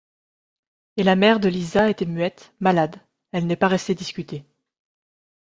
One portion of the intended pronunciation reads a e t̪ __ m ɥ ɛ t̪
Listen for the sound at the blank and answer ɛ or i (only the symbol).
ɛ